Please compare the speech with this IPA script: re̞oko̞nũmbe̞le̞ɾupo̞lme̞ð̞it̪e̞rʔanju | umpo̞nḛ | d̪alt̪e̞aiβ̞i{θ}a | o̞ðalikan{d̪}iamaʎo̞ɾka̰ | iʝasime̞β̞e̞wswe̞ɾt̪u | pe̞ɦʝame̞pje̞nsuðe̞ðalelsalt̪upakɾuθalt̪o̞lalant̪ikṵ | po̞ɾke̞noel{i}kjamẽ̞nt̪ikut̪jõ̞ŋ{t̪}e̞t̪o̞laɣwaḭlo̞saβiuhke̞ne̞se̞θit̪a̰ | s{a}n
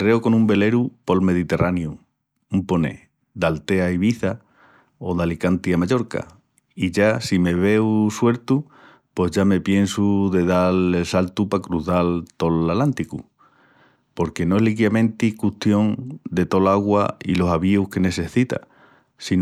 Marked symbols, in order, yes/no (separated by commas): yes, no, yes, no, no